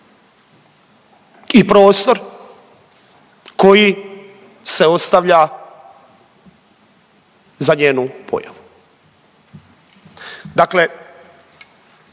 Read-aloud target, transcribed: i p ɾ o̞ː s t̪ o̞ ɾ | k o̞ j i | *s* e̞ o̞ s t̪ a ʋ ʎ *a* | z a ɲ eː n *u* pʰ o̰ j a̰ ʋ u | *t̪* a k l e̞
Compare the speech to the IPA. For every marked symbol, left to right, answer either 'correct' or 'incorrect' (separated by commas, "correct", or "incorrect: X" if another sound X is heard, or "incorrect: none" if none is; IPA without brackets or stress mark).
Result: correct, correct, correct, incorrect: d̪